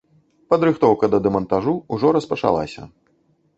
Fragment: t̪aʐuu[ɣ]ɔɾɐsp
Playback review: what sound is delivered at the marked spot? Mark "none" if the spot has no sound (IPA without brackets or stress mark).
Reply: ʐ